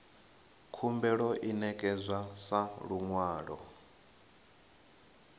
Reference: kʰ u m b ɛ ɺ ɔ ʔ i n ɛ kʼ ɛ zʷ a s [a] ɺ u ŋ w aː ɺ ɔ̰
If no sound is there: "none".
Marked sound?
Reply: a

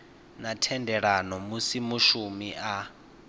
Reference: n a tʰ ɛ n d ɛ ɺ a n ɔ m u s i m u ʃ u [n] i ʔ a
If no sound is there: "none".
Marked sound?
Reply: m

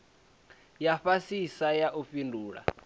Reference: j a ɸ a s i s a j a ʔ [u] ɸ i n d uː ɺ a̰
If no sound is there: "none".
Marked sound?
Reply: u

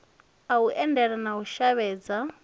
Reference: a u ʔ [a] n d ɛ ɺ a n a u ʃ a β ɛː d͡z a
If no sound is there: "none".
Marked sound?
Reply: ɛ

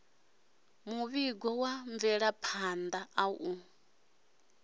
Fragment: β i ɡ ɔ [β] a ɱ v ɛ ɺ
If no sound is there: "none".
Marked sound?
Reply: w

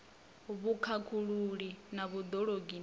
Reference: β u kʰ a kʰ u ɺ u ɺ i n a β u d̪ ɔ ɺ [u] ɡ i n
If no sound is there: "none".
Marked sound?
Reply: o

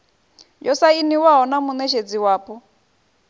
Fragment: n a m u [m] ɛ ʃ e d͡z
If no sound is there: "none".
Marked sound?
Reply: n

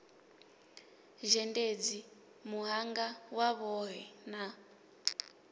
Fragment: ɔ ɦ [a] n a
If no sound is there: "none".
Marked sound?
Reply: ɛ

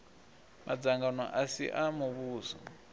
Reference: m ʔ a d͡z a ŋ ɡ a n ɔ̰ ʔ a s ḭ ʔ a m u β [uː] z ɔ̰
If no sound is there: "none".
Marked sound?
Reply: uː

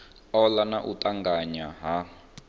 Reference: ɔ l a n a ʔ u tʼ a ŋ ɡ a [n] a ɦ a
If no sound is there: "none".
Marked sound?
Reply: ɲ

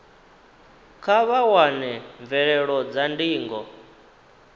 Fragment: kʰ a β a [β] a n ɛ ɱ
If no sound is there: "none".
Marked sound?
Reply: w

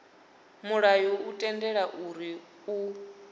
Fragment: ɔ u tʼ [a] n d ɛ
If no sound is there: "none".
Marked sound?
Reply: ɛ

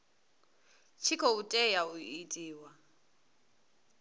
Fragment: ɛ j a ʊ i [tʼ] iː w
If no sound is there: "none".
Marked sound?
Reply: tʼ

